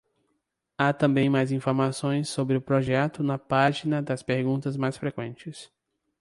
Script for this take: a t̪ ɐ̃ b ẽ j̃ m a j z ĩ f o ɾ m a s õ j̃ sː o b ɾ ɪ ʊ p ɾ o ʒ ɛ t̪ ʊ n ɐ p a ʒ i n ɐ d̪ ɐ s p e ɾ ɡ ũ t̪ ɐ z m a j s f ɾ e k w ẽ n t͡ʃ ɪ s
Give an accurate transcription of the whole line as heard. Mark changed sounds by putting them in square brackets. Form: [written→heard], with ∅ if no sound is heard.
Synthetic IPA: a t̪ ɐ̃ b ẽ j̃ m a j z ĩ f o ɾ m a s õ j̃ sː o b ɾ ɪ ʊ p ɾ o ʒ ɛ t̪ ʊ n ɐ p a ʒ i n ɐ d̪ ɐ s p e ɾ ɡ ũ t̪ ɐ z m a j s f ɾ e k w ẽ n t͡ʃ ɪ s